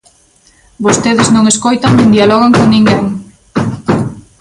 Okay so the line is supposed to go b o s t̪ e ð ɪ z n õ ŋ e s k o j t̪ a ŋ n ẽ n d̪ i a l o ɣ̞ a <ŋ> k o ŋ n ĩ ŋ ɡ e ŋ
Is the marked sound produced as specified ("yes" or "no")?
yes